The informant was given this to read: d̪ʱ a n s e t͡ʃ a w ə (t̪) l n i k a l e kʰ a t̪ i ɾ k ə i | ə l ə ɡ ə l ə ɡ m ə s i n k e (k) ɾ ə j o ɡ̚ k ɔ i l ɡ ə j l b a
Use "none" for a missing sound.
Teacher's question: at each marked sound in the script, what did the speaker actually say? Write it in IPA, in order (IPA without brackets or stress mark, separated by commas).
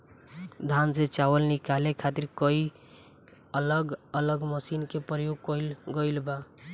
none, p